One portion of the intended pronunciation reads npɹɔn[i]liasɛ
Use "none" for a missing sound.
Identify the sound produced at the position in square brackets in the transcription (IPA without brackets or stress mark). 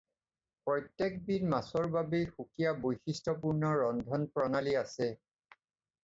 a